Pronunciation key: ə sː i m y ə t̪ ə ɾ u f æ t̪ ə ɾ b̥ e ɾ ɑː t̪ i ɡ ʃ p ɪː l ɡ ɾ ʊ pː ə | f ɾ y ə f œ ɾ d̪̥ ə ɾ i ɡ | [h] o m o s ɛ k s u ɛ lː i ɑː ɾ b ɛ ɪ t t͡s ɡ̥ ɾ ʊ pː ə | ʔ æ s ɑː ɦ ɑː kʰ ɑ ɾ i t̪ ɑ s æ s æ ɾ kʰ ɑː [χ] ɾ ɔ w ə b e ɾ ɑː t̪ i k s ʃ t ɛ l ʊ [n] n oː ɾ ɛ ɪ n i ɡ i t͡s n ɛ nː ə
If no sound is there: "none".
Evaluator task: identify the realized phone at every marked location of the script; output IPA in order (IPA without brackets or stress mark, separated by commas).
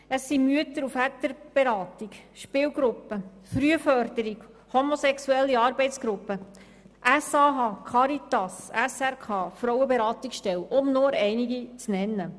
h, f, m